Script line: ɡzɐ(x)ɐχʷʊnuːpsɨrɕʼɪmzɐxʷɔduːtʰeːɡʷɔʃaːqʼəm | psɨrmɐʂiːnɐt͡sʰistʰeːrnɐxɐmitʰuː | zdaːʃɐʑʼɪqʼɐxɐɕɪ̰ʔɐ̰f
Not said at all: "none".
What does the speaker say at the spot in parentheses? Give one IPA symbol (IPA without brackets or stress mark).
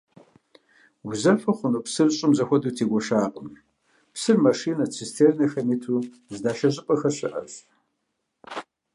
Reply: f